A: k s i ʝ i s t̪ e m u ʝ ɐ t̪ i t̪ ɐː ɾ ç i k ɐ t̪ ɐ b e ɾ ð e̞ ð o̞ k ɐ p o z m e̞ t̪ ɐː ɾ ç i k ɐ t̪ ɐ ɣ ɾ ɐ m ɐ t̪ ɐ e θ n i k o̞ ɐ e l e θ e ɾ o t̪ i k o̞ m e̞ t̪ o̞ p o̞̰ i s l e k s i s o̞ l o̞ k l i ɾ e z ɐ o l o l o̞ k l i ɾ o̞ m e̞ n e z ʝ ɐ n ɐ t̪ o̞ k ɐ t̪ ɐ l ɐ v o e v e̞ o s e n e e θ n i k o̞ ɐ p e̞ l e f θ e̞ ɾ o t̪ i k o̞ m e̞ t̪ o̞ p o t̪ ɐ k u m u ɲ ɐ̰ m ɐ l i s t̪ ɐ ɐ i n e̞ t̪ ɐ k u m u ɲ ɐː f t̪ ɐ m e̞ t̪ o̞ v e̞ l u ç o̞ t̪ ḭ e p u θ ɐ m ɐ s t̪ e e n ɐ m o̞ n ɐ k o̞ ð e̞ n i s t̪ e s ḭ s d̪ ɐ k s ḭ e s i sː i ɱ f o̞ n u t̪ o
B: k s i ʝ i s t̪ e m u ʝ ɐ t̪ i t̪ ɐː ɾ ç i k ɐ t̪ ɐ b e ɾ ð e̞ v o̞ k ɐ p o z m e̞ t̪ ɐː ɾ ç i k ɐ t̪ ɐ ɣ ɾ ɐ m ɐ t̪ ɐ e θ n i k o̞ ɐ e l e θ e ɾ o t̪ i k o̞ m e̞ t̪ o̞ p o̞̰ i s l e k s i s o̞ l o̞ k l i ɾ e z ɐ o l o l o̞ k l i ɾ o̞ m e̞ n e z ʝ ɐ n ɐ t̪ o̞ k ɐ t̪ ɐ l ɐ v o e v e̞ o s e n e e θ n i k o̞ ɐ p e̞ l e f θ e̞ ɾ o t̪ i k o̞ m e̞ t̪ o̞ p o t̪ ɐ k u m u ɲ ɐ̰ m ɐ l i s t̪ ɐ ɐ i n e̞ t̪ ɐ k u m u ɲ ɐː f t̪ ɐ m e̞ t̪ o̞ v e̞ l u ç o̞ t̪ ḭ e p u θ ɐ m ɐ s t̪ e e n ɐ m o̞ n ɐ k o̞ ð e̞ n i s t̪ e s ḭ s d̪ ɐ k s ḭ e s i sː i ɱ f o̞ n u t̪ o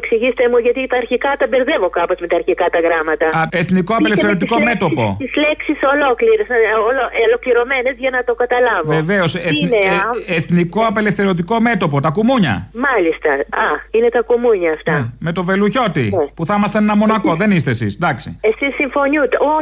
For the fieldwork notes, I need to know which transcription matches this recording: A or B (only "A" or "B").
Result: B